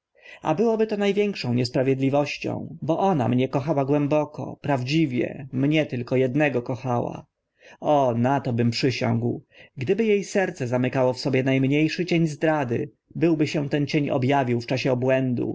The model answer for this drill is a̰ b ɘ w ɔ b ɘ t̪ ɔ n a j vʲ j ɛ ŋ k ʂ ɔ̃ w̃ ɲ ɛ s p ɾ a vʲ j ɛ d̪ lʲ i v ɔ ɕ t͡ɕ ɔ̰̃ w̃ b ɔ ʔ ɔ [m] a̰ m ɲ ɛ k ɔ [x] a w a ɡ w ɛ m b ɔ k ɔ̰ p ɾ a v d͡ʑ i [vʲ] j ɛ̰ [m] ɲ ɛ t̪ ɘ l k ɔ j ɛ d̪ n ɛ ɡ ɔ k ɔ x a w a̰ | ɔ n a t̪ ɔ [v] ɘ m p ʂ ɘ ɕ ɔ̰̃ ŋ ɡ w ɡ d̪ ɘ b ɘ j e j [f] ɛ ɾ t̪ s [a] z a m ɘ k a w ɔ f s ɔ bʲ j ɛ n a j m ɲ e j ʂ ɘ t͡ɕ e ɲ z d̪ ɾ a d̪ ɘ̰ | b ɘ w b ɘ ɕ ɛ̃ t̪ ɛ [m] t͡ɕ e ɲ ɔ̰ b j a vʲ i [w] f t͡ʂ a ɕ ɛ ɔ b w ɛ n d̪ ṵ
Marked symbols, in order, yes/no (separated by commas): no, yes, yes, yes, no, no, no, no, yes